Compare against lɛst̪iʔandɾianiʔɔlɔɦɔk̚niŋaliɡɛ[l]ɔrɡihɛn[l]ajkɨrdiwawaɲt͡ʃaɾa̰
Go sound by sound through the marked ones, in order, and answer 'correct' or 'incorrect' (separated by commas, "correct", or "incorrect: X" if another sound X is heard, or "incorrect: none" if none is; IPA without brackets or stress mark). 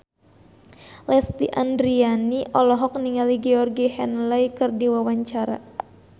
incorrect: none, correct